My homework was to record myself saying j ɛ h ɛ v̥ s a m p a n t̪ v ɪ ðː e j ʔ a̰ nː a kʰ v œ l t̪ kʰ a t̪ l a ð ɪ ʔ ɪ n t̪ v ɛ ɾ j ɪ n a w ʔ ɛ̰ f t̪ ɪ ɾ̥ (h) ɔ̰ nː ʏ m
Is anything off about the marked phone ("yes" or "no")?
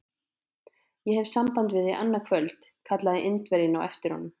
no